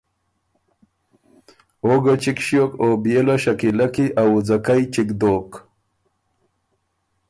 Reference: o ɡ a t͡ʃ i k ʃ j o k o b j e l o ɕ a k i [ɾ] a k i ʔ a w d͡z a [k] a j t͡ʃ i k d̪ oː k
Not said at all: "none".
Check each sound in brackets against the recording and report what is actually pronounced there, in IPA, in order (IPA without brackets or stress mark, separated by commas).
l, k